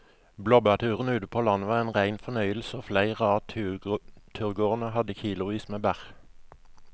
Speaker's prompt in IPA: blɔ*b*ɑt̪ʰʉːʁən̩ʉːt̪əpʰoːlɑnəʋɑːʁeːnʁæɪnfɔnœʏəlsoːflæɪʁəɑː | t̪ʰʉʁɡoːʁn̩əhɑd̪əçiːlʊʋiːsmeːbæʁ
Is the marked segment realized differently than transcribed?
no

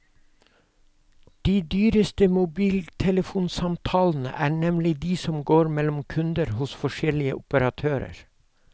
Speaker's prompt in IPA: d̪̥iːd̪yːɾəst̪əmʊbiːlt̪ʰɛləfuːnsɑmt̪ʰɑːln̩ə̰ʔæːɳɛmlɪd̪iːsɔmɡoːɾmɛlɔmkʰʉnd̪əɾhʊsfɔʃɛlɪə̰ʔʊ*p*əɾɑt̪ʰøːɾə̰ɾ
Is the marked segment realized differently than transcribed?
no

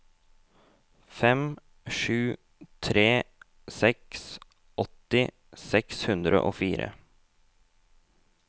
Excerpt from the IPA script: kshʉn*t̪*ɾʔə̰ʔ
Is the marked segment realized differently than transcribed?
yes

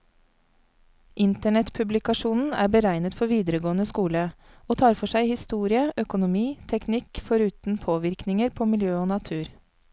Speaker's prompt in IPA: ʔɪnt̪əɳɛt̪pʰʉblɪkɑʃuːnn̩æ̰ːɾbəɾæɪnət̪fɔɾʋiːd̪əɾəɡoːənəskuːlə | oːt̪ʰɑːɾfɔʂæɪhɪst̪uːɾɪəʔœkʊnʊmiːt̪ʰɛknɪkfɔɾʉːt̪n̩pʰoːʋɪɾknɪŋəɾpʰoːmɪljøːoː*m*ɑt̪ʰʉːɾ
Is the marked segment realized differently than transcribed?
yes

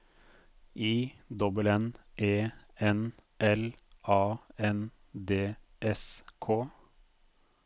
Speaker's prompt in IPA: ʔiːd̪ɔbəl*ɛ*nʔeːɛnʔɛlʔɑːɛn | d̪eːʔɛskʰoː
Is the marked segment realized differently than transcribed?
no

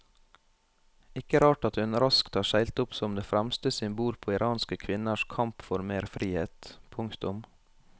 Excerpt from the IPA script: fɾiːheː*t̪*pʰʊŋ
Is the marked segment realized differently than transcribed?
no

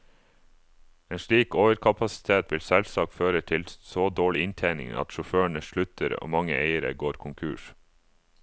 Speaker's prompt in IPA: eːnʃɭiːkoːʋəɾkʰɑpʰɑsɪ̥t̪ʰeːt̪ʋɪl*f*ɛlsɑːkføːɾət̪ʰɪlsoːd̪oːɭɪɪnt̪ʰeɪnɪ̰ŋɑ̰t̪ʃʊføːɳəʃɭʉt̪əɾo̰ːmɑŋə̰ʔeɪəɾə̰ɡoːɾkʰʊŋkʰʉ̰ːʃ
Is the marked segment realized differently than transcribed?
yes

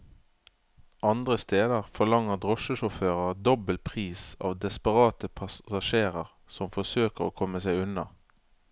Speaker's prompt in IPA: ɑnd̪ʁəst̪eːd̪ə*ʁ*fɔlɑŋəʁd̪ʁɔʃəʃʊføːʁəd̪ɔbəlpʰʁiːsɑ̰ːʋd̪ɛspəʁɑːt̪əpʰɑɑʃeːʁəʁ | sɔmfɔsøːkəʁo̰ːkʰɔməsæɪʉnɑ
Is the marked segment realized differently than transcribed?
no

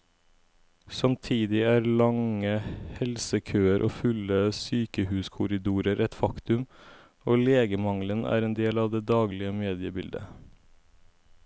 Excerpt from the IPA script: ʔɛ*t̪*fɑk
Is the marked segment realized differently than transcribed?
no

